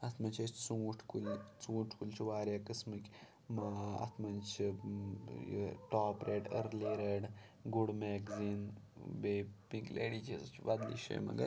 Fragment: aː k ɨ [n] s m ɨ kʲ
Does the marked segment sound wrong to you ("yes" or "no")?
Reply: yes